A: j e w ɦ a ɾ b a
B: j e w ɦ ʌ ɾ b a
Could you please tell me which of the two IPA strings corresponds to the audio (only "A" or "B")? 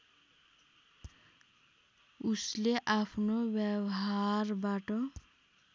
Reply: A